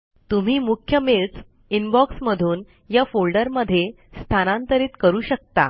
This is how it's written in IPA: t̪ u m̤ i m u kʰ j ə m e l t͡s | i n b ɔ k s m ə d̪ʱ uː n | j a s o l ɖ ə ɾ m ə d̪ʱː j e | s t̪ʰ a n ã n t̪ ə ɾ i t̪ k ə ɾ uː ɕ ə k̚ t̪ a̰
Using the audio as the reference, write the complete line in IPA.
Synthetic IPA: t̪ u m̤ iː m u kʰ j ə m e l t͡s | i n b ɔ k s m ə d̪ʱ uː n | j a f o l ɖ ə ɾ m ə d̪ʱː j e | s t̪ʰ a n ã n t̪ ə ɾ iː t̪ k ə ɾ uː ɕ ə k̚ t̪ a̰